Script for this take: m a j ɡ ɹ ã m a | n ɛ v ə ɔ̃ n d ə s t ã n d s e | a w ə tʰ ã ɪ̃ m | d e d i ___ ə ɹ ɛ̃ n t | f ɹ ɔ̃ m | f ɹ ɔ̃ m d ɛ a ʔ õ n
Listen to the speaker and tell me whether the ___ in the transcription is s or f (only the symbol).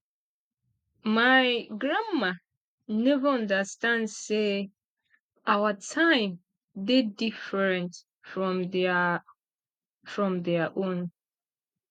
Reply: f